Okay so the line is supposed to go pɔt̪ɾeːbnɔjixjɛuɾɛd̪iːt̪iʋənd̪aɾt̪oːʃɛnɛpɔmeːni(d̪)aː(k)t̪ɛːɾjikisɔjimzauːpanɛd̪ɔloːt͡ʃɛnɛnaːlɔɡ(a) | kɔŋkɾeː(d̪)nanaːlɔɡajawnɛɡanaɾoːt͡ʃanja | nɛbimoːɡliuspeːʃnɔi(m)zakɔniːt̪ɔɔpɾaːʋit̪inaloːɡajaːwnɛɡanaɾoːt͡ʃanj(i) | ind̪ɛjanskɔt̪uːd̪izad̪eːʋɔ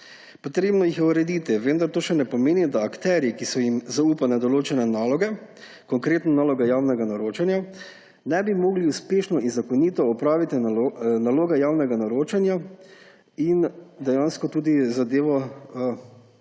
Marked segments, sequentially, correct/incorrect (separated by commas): correct, correct, incorrect, incorrect, incorrect, incorrect